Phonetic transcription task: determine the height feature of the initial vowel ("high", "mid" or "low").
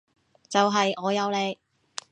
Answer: low